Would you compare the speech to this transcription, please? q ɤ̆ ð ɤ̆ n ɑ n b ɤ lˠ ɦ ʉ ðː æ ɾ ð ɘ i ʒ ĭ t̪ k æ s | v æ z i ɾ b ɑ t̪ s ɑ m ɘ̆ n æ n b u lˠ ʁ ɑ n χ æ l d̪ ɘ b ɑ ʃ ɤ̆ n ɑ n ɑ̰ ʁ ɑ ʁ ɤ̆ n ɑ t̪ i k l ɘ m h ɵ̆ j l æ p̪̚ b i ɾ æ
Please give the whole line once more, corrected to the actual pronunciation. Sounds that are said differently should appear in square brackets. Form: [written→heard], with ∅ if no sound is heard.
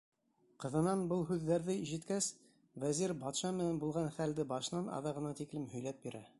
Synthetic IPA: q ɤ̆ ð ɤ̆ n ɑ n b ɤ lˠ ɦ ʉ ðː æ ɾ ð ɘ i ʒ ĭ t̪ k æ s | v æ z i ɾ b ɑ t̪ [s→ʃ] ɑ m ɘ̆ n æ n b u lˠ ʁ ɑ n χ æ l d̪ ɘ b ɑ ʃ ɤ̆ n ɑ n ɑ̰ [ʁ→ð] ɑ ʁ ɤ̆ n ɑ t̪ i k l ɘ m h ɵ̆ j l æ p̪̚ b i ɾ æ